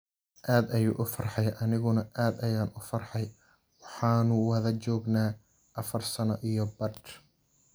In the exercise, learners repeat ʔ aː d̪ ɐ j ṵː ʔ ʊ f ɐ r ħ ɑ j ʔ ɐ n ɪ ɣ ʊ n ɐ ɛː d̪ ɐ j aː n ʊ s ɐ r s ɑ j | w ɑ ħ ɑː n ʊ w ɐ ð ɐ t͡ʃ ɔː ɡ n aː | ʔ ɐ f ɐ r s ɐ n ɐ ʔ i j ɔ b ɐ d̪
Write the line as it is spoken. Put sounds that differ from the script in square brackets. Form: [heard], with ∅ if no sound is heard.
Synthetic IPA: ʔ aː d̪ ɐ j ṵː ʔ ʊ f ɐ r ħ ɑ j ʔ ɐ n ɪ ɣ ʊ n ɐ [aː] d̪ ɐ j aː n ʊ [f] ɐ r [ħ] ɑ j | w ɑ ħ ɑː n ʊ w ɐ ð ɐ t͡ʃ ɔː ɡ n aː | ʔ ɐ f ɐ r s ɐ n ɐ ʔ i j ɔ b ɐ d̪